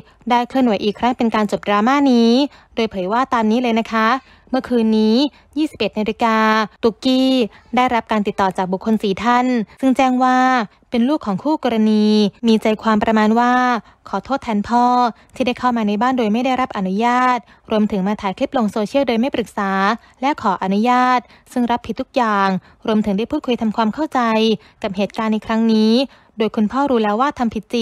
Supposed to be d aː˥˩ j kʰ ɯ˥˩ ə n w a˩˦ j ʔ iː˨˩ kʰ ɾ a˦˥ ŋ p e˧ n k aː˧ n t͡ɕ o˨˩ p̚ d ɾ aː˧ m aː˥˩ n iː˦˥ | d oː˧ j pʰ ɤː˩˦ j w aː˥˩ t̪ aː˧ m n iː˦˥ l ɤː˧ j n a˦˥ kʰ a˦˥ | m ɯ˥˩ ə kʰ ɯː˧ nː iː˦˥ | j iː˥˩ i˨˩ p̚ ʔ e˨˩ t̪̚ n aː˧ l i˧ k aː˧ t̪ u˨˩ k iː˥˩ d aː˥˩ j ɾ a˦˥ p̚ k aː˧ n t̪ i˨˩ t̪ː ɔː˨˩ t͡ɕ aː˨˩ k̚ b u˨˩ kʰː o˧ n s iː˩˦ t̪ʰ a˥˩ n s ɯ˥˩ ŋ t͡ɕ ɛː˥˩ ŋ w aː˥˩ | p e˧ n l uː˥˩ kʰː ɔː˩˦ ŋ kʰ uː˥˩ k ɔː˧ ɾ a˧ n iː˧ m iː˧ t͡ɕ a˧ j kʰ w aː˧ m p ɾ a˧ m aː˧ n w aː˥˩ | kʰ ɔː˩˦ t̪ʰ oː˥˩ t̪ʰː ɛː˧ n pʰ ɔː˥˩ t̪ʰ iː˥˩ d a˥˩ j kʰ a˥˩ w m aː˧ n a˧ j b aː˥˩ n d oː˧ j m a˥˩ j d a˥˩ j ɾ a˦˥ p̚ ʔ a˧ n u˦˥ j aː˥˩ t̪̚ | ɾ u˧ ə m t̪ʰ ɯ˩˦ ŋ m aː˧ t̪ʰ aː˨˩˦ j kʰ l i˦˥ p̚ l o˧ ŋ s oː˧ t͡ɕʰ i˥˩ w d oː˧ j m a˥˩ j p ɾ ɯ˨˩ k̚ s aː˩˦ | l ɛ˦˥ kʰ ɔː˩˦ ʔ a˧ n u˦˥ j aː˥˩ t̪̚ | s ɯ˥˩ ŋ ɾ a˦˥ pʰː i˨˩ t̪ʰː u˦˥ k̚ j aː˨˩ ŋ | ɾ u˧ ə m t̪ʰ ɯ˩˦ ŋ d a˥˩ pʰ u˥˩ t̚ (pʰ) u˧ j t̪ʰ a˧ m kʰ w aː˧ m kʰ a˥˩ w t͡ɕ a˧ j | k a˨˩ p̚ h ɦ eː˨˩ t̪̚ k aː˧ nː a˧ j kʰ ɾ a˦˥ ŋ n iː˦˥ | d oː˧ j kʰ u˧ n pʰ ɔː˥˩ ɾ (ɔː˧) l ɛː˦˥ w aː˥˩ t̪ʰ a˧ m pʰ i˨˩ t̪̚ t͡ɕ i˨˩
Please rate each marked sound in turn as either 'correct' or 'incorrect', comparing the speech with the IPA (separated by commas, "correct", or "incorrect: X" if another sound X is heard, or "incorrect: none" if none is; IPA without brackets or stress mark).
incorrect: kʰ, incorrect: uː˧